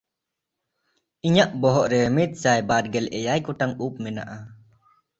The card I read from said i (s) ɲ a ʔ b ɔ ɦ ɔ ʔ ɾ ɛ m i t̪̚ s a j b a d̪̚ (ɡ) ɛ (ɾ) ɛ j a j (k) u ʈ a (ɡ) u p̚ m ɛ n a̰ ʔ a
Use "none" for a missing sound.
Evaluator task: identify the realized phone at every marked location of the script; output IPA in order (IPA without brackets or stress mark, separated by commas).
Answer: none, ɡ, l, k, ŋ